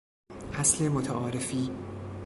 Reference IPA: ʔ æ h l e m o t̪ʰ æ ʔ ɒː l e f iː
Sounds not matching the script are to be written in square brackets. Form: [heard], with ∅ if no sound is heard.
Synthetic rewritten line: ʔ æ [s] l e m o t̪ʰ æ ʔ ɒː [ɾ] e f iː